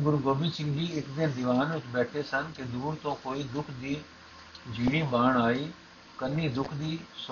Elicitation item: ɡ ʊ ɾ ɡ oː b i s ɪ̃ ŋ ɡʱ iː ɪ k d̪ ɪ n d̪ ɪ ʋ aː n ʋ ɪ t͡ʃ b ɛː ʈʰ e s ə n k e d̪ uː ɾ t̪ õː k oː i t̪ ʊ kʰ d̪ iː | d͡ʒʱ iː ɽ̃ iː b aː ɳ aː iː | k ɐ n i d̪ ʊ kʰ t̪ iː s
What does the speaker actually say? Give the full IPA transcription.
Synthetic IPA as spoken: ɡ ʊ ɾ ɡ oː b i s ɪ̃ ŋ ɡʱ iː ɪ k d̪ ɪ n d̪ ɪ ʋ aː n ʋ ɪ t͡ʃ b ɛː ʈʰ e s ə n k e d̪ uː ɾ t̪ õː k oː i d̪ ʊ kʰ d̪ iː | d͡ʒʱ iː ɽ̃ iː b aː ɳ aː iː | k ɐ n i d̪ ʊ kʰ d̪ iː s